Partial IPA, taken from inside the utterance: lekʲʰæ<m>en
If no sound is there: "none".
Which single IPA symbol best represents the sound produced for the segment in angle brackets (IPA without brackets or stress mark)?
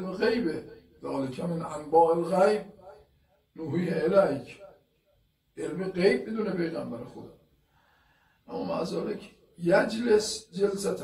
m